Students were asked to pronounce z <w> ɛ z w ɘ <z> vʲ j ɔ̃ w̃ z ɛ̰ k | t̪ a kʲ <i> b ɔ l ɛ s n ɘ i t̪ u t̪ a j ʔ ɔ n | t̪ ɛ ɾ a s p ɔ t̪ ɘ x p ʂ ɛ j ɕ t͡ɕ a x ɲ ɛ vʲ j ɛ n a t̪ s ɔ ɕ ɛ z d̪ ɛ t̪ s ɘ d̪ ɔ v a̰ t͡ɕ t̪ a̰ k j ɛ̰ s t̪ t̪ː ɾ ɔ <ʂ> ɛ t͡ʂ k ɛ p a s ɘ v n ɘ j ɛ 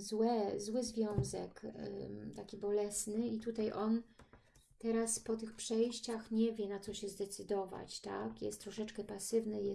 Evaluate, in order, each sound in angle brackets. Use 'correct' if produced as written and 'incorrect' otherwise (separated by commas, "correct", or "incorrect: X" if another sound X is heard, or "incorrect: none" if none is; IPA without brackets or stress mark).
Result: correct, correct, correct, correct